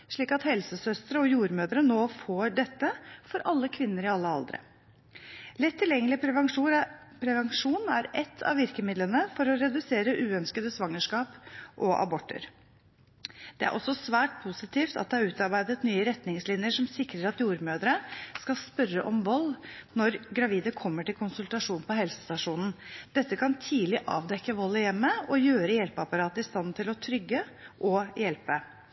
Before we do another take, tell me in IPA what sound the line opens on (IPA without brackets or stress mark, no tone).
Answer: ʂ